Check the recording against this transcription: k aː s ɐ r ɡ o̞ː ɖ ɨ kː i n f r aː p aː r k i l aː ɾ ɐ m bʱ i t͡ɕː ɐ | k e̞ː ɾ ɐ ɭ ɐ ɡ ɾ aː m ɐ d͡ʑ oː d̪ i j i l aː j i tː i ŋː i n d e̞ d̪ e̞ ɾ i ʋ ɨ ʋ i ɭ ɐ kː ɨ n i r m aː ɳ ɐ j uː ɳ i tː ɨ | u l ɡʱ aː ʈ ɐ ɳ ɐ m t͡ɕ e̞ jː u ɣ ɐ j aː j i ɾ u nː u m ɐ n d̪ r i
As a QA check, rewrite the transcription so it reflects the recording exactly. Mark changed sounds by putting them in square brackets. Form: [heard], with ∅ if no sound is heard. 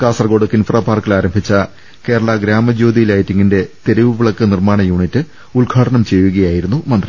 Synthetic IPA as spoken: k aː s ɐ r ɡ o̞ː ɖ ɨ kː i n f r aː p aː r k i l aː ɾ ɐ m bʱ i t͡ɕː ɐ | k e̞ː ɾ ɐ ɭ ɐ ɡ ɾ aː m ɐ d͡ʑ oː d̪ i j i l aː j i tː i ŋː i n d e̞ [t̪] e̞ ɾ i ʋ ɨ ʋ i ɭ ɐ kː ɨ n i r m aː ɳ ɐ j uː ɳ i tː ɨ | u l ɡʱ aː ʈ ɐ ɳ ɐ m t͡ɕ e̞ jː u ɣ ɐ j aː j i ɾ u nː u m ɐ n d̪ r i